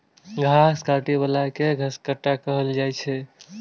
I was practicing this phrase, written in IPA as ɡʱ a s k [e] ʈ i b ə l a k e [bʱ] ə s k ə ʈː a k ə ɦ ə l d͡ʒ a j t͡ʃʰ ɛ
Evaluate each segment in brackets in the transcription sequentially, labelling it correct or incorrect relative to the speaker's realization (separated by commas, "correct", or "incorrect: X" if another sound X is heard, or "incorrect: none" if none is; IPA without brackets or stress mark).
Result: incorrect: a, incorrect: ɡʱ